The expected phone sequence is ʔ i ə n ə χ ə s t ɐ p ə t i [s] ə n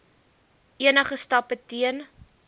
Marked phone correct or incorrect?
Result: incorrect